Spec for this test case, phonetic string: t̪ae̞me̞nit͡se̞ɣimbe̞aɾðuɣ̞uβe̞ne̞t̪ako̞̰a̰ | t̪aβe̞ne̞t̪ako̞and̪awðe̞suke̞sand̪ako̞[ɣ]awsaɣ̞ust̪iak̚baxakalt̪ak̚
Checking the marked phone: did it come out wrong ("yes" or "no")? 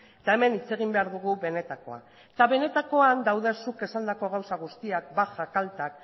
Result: no